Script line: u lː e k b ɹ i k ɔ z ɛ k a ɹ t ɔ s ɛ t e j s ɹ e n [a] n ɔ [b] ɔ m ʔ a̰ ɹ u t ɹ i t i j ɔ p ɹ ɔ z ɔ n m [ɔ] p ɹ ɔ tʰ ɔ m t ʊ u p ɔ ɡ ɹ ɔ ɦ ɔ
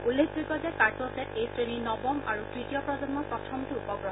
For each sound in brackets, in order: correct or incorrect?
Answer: incorrect, correct, correct

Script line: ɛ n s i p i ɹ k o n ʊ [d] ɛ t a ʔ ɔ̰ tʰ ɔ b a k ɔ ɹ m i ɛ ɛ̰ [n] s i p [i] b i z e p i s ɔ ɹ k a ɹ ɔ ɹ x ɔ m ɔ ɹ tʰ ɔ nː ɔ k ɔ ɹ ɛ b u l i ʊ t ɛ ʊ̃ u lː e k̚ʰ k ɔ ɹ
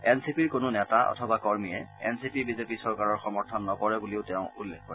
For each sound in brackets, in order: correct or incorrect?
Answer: incorrect, correct, correct

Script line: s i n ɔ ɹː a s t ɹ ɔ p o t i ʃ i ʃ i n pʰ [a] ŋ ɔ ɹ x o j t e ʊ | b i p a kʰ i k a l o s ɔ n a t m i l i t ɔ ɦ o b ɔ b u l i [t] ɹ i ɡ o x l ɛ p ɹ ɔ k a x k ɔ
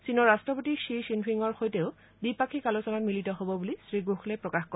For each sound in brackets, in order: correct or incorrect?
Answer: incorrect, incorrect

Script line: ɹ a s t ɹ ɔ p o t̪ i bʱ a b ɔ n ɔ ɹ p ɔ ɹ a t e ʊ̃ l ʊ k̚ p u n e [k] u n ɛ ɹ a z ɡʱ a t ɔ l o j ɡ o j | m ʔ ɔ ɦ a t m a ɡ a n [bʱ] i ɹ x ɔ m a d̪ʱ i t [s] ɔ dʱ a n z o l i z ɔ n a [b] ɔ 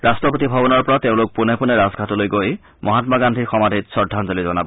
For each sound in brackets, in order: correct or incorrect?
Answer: incorrect, incorrect, correct, correct

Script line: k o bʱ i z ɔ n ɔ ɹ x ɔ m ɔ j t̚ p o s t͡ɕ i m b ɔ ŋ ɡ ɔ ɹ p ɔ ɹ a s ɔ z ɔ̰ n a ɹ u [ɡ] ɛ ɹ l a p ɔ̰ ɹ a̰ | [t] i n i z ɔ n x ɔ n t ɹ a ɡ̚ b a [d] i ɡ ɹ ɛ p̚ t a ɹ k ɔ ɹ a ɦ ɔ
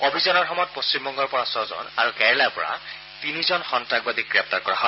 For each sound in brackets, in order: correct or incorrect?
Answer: incorrect, correct, correct

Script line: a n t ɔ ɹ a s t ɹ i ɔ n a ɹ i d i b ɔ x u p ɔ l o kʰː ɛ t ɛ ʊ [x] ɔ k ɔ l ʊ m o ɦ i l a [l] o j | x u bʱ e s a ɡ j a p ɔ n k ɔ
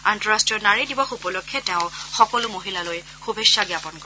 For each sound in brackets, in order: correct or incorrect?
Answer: correct, correct

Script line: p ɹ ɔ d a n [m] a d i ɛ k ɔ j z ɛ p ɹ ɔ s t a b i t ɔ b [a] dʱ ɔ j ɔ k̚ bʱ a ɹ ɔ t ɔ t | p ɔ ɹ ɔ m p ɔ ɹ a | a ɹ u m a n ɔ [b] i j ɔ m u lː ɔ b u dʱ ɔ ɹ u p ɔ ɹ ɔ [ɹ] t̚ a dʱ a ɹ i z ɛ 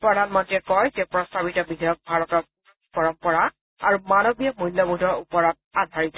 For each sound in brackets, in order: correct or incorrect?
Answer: correct, incorrect, correct, incorrect

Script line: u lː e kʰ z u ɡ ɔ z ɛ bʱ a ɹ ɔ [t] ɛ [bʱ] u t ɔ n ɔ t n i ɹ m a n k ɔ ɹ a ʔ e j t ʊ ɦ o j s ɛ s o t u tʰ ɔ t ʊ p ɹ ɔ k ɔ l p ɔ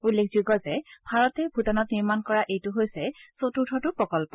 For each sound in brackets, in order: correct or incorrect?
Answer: correct, correct

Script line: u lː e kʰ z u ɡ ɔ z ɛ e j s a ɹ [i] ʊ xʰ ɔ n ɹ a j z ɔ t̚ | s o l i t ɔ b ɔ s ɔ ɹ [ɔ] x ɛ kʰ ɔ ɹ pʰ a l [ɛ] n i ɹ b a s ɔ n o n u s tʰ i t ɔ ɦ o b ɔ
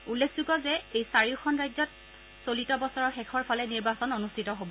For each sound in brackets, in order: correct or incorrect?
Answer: correct, correct, correct

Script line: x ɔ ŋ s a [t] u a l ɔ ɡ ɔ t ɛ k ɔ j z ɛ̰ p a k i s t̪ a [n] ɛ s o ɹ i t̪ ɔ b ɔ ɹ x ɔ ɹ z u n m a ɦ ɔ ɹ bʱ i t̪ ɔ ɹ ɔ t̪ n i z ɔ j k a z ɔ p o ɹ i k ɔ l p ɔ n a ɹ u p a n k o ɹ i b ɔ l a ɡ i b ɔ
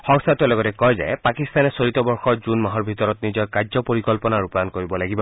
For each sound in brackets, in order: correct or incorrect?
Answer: correct, correct

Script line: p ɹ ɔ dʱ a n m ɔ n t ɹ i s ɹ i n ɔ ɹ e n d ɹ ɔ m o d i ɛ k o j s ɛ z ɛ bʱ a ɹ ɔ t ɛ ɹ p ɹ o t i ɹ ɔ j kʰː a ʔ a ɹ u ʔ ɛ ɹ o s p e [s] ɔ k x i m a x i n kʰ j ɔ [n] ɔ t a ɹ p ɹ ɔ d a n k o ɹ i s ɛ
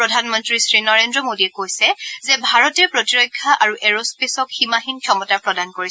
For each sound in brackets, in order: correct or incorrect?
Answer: correct, incorrect

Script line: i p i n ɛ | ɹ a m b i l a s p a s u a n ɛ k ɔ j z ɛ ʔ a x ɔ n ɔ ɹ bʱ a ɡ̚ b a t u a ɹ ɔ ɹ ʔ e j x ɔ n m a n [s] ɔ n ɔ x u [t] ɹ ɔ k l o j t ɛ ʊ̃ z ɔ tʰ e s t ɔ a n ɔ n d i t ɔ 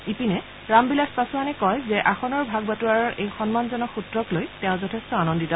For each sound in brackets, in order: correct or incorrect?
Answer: incorrect, correct

